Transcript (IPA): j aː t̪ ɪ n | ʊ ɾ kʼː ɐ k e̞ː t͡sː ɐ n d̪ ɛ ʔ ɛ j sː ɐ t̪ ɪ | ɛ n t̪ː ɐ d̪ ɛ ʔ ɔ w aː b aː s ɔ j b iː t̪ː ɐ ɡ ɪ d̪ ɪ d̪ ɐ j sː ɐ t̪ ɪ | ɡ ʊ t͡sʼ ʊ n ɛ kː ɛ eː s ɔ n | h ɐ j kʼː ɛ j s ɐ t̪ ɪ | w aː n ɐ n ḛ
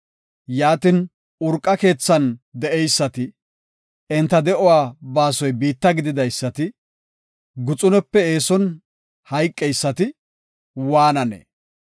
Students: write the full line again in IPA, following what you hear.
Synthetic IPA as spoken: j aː t̪ ɪ n | ʊ ɾ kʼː ɐ k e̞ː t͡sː ɐ n d̪ ɛ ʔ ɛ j sː ɐ t̪ ɪ | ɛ n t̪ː ɐ d̪ ɛ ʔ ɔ w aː b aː s ɔ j b iː t̪ː ɐ ɡ ɪ d̪ ɪ d̪ ɐ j sː ɐ t̪ ɪ | ɡ ʊ t͡sʼ ʊ n ɛ pː ɛ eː s ɔ n | h ɐ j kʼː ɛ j sː ɐ t̪ ɪ | w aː n ɐ n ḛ